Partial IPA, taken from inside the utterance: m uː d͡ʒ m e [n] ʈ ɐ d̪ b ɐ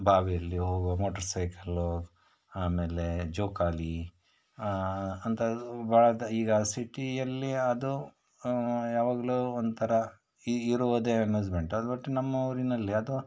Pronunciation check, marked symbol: incorrect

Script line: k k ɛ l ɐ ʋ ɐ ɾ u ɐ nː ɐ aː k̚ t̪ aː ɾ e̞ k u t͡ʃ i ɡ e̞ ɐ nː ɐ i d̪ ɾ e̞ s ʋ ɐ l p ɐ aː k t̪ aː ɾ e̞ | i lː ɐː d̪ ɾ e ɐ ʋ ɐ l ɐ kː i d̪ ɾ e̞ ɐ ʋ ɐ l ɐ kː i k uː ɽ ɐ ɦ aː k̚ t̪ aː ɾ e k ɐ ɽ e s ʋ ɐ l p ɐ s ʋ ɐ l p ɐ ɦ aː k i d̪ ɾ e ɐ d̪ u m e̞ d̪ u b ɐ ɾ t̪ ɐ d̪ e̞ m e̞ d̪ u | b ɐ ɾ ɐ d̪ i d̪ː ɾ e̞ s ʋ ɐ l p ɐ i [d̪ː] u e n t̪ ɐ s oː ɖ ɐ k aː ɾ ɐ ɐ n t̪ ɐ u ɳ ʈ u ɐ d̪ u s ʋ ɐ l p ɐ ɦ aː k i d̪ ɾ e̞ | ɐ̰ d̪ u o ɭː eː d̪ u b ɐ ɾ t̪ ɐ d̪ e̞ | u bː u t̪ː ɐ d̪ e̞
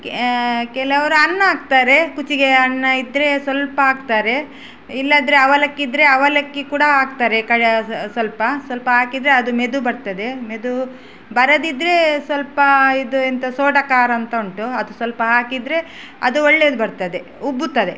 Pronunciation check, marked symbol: incorrect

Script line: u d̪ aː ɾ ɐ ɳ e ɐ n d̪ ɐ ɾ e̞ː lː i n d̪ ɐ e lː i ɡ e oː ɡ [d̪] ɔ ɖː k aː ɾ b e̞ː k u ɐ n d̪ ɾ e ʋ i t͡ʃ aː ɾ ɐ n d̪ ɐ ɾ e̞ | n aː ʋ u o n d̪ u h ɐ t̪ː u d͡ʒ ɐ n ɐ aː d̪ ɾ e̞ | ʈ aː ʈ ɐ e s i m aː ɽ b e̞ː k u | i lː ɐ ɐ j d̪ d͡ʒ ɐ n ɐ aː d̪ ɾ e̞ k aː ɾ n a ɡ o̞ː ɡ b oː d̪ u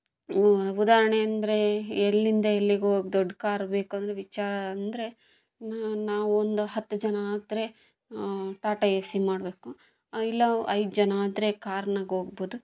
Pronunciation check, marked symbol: correct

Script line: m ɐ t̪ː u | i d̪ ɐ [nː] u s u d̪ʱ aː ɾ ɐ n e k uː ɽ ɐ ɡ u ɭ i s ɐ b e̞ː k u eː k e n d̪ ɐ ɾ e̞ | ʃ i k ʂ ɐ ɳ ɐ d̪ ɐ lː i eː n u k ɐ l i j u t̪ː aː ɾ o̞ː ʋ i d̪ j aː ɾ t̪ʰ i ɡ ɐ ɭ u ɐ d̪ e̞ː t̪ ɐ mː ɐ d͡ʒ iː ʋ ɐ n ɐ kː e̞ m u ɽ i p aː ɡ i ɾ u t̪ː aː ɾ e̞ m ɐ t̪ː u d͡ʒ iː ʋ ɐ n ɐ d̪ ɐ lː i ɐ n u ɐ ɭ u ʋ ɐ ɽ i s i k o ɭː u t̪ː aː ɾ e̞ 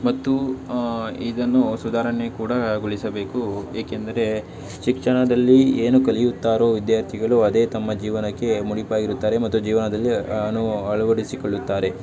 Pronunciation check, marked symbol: correct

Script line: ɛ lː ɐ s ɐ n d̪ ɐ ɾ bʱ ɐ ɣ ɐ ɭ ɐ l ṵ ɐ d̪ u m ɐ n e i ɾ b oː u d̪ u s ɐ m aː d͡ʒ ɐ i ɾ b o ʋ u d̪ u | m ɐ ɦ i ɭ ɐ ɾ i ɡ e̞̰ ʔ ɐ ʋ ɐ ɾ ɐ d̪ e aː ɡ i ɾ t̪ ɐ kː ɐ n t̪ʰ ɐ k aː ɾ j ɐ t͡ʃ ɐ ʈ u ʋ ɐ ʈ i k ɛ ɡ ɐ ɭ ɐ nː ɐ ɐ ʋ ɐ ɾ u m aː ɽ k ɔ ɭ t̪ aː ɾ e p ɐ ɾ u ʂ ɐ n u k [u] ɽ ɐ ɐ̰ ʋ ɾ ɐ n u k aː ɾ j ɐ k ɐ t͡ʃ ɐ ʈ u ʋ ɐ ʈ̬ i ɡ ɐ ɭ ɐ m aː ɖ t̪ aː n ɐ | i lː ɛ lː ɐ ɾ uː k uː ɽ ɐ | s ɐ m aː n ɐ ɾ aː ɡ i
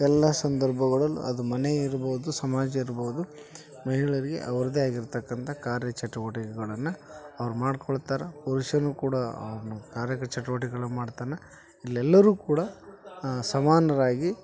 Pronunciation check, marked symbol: incorrect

